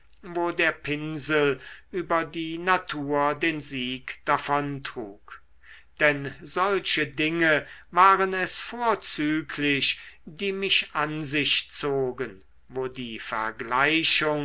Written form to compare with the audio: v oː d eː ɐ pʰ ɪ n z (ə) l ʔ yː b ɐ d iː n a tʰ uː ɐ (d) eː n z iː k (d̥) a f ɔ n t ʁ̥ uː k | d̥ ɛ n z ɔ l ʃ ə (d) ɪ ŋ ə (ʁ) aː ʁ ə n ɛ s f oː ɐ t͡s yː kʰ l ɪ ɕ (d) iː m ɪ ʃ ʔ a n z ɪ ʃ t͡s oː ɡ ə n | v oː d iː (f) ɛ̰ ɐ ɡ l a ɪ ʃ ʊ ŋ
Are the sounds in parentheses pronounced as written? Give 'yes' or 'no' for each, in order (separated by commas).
yes, yes, yes, yes, no, yes, yes